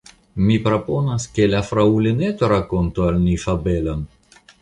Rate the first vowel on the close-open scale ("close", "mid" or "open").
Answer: close